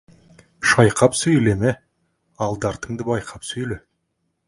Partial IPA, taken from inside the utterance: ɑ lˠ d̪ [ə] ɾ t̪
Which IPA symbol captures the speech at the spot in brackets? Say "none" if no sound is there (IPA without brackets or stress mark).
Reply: ɑ